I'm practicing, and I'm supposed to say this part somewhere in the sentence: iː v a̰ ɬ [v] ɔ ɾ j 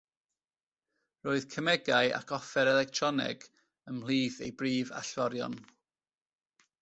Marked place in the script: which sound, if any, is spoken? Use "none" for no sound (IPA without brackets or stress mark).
v